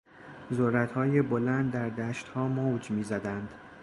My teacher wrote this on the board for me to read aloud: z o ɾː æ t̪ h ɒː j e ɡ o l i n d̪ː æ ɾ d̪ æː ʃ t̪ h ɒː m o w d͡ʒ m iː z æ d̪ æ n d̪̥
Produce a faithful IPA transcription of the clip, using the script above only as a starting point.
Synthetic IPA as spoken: z o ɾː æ t̪ h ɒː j e b o l æ n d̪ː æ ɾ d̪ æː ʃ t̪ h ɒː m o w d͡ʒ m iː z æ d̪ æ n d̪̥